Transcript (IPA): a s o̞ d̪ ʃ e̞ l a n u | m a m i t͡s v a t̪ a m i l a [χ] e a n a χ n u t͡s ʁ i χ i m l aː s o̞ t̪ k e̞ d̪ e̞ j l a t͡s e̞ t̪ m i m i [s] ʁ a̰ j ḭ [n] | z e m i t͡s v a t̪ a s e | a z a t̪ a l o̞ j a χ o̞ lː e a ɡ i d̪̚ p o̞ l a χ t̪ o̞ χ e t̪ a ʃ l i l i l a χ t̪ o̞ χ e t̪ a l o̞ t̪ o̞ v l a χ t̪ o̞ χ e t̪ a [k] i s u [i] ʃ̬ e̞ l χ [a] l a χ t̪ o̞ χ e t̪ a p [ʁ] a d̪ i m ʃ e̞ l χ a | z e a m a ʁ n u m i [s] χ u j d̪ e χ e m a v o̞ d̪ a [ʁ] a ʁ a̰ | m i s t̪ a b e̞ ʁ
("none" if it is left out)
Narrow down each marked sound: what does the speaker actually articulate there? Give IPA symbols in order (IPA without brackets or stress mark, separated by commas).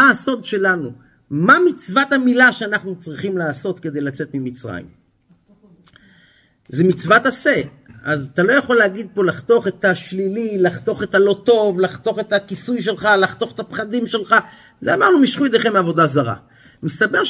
ʃ, t͡s, m, k, j, a, χ, ʃ, z